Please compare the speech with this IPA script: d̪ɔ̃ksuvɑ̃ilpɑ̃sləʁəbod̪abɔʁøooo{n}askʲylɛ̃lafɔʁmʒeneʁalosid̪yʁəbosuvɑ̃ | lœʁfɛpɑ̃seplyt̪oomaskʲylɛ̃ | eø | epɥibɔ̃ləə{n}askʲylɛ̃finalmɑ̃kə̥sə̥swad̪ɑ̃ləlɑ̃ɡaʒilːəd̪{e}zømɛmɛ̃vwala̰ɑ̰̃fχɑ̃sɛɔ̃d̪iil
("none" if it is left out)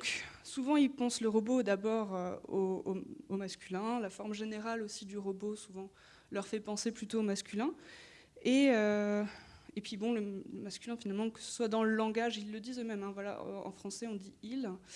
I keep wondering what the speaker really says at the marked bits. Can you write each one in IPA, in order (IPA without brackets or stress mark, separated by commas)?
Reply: m, m, i